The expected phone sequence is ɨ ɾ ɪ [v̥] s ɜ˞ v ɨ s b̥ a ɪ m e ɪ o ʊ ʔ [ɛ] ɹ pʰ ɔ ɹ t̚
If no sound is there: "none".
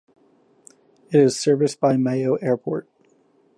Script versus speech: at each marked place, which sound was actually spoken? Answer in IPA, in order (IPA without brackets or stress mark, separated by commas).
z̥, ɛ